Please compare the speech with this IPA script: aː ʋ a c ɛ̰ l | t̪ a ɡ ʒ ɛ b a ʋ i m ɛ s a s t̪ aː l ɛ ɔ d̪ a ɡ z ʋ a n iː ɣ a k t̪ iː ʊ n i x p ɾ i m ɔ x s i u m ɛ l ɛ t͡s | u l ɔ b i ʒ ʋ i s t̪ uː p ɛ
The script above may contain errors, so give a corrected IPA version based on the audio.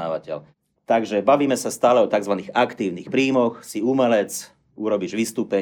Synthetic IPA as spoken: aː ʋ a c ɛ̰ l | t̪ a ɡ ʒ ɛ b a ʋ iː m ɛ s a s t̪ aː l ɛ ɔ t̪ a ɡ z ʋ a n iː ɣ a k t̪ iː ʊ n i x p ɾ iː m ɔ x s i u m ɛ l ɛ t͡s | u ɾ ɔ b i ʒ ʋ i s t̪ uː p ɛ